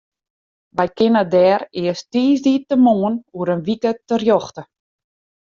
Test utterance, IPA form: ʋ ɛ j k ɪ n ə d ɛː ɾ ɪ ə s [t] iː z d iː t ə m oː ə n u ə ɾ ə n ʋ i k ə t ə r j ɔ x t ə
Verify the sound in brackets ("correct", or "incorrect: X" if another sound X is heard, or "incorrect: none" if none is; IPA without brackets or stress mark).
correct